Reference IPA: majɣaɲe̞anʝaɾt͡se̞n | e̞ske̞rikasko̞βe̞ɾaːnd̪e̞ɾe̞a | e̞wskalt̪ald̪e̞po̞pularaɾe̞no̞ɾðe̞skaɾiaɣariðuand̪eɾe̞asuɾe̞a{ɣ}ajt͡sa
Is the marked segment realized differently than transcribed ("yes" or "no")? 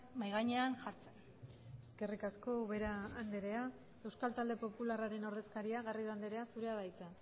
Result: yes